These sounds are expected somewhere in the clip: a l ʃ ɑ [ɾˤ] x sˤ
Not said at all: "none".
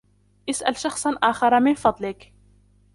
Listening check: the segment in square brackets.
none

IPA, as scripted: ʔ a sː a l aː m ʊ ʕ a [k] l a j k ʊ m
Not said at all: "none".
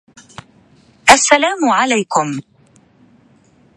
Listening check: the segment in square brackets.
none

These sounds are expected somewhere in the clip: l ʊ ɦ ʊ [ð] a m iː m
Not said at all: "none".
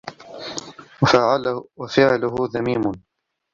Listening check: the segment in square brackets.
ð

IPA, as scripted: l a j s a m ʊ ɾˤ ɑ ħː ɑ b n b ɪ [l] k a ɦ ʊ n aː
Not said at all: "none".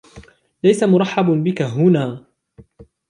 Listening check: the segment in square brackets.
none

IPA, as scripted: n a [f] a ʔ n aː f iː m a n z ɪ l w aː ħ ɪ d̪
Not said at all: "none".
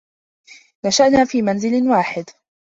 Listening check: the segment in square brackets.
ʃ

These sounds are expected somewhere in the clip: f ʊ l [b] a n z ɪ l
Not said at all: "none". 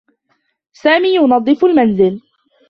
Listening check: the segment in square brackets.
m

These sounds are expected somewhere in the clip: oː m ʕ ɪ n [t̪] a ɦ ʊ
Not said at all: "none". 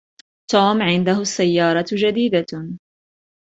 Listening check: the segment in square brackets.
d̪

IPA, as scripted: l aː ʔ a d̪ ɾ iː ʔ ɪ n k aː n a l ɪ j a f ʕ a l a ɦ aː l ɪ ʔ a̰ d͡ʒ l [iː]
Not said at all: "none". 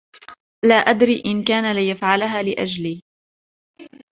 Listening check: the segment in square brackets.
iː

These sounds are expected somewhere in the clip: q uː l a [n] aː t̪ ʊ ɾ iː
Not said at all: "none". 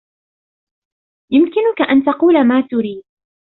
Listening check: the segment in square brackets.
m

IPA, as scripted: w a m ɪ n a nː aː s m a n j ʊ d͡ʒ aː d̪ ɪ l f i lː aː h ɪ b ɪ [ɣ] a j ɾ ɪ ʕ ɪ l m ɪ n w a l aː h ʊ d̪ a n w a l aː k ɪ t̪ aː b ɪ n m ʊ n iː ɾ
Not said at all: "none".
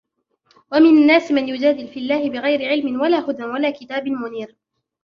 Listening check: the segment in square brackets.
ɣ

